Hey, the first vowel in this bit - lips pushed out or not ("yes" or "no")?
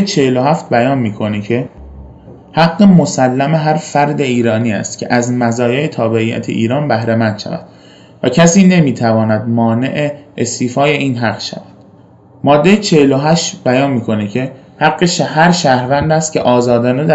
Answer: no